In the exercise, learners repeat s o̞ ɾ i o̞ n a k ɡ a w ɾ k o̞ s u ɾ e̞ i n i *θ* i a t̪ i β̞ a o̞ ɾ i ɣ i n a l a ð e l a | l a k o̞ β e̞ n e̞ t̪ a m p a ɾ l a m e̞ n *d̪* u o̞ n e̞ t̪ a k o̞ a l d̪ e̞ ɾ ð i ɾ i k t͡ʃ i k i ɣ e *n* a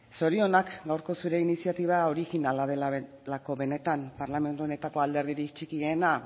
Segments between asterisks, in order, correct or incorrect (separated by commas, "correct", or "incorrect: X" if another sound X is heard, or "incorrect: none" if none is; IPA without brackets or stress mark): incorrect: s, incorrect: t̪, correct